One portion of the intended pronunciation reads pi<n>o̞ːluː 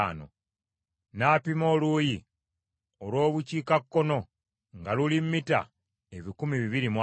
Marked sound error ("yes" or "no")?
yes